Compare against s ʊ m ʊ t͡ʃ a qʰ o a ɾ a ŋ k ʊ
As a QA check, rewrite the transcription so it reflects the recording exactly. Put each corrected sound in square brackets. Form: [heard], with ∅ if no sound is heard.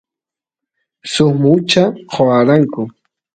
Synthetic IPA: s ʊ m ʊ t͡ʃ a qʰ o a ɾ a ŋ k ʊ

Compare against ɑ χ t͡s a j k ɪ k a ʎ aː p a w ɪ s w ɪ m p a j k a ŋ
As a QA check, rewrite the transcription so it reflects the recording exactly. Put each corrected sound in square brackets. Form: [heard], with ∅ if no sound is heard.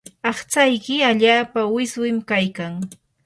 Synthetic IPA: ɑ χ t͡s a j k ɪ [∅] a ʎ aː p a w ɪ s w ɪ m [k] a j k a ŋ

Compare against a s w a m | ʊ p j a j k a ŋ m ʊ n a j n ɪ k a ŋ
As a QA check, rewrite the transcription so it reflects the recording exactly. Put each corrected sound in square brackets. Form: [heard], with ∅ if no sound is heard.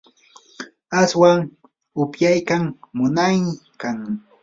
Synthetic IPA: a s w a [ŋ] | ʊ p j a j k a ŋ m ʊ n a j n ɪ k a ŋ

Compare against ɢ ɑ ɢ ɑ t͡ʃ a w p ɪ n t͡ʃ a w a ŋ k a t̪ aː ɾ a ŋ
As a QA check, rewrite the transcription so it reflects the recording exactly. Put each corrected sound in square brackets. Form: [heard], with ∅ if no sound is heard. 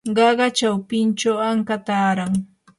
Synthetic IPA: ɢ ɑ ɢ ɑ t͡ʃ a w p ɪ n t͡ʃ a w a ŋ k a t̪ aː ɾ a ŋ

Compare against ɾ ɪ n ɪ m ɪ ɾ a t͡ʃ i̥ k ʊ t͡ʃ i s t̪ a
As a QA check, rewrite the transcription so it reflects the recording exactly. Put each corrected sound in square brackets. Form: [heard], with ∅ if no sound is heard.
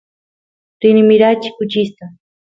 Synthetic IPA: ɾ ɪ n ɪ m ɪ ɾ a t͡ʃ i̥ k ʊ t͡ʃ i s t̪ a

